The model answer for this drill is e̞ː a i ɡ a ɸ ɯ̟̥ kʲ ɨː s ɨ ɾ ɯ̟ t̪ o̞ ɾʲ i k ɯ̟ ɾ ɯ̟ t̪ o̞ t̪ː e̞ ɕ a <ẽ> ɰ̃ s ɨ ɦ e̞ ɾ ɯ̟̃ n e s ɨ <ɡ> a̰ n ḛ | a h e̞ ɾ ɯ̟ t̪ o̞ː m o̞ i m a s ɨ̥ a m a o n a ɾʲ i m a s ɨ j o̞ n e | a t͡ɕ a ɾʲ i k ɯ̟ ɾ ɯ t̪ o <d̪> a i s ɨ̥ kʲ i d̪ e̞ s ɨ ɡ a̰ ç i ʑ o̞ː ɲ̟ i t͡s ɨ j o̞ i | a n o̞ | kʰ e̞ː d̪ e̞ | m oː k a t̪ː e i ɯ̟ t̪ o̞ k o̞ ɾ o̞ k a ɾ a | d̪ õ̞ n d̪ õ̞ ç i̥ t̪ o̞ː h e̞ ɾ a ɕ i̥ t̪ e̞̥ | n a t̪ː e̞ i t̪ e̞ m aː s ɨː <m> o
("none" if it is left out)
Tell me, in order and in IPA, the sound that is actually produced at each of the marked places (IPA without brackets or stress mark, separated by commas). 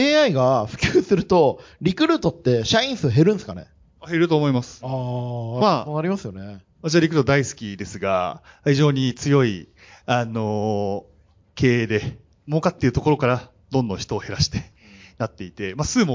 ĩ, k, d̪, m